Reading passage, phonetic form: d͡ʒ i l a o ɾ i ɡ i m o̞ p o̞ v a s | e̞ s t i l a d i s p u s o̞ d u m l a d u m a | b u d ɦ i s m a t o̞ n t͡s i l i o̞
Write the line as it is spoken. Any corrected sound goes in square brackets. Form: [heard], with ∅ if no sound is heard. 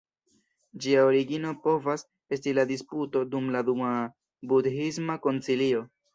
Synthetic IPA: d͡ʒ i [∅] a o ɾ i ɡ i [n] o̞ p o̞ v a s | e̞ s t i l a d i s p u [t] o̞ d u m l a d u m a | b u d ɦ i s m a [k] o̞ n t͡s i l i o̞

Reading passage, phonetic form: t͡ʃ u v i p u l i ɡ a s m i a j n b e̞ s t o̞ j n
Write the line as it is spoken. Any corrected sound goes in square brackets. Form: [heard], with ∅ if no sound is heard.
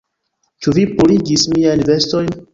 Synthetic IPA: t͡ʃ u v i p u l i ɡ [i] s m i a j n [v] e̞ s t o̞ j n

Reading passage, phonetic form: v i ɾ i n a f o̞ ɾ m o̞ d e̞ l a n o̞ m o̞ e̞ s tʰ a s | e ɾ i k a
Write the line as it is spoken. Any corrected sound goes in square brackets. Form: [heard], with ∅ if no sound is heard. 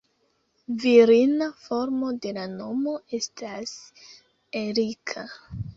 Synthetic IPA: v i ɾ i n a f o̞ ɾ m o̞ d e̞ l a n o̞ m o̞ e̞ s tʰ a s | e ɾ i [kʰ] a

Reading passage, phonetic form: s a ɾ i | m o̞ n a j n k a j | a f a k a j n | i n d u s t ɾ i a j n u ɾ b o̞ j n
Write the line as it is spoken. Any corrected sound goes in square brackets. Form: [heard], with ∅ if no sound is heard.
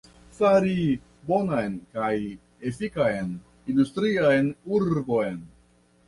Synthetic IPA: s a ɾ i | [b] o̞ n a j n k a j | [e] f [i] k a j n | i n d u s t ɾ i a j n u ɾ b o̞ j n

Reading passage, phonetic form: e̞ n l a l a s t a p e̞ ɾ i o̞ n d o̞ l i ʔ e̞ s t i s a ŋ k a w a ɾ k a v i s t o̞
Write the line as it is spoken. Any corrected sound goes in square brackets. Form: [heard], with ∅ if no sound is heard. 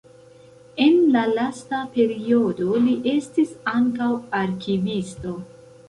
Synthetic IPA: e̞ n l a l a s t a p e̞ ɾ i o̞ [∅] d o̞ l i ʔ e̞ s t i s a ŋ k a w a ɾ k [i] v i s t o̞

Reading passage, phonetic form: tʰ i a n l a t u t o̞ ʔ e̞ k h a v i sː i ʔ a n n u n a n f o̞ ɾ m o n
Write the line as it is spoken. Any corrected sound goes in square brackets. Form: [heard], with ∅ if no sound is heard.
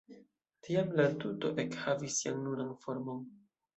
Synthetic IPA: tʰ i a [m] l a t u t o̞ ʔ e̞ k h a v i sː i [∅] a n n u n a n f o̞ ɾ m o n

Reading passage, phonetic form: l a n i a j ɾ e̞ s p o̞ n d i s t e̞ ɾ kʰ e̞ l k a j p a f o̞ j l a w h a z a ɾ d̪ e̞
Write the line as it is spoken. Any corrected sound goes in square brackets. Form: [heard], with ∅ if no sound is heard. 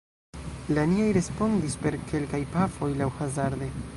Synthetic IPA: l a n i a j ɾ e̞ s p o̞ n d i s [p] e̞ ɾ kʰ e̞ l k a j p a f o̞ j l a w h a z a ɾ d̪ e̞

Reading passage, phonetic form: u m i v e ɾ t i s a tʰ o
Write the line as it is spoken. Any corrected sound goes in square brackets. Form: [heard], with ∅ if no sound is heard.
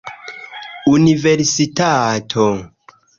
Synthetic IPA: u [n] i v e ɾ [s] i [t] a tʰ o

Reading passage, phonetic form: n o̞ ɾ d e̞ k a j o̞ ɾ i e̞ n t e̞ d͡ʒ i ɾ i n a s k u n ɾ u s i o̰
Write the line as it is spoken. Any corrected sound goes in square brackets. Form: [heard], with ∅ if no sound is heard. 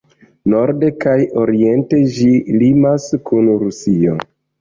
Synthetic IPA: n o̞ ɾ d e̞ k a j o̞ ɾ i e̞ n t e̞ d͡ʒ i [l] i [m] a s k u n ɾ u s i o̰

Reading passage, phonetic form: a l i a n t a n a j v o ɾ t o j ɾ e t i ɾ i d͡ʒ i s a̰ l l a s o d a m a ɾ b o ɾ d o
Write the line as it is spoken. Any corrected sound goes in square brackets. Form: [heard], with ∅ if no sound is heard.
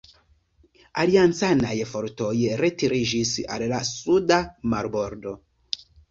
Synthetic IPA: a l i a n [t͡s] a n a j [f] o ɾ t o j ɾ e t i ɾ i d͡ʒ i s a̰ l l a s [u] d a m a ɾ b o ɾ d o

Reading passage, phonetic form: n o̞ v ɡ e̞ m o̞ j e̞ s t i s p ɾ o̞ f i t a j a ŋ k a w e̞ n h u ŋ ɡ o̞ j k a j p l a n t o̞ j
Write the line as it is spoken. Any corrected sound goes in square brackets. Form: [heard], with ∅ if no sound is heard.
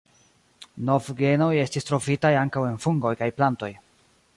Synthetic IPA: n o̞ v ɡ e̞ [n] o̞ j e̞ s t i s [t] ɾ o̞ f i t a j a ŋ k a w e̞ n [f] u ŋ ɡ o̞ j k a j p l a n t o̞ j

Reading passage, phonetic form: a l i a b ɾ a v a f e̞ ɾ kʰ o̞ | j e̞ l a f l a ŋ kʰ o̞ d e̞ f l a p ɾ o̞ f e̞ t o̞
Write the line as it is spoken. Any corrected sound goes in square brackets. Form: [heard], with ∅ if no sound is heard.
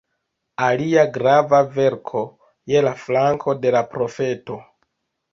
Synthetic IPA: a l i a [ɡ] ɾ a v a [v] e̞ ɾ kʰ o̞ | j e̞ l a f l a ŋ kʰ o̞ d e̞ [∅] l a p ɾ o̞ f e̞ t o̞

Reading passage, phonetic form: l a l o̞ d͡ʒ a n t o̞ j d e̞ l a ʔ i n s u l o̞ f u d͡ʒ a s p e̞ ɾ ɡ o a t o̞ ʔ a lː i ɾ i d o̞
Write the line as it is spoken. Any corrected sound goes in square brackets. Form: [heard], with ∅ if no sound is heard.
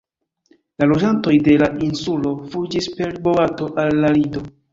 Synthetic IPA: l a l o̞ d͡ʒ a n t o̞ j d e̞ l a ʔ i n s u l o̞ f u d͡ʒ [i] s p e̞ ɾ [b] o a t o̞ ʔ a lː [a] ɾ i d o̞

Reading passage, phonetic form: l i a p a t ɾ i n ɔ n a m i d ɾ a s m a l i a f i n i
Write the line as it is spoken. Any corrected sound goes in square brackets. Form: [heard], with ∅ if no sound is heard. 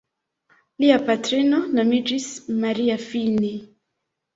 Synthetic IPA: l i a p a t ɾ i n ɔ n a m i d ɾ [i] s m a [ɾ] i a f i n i

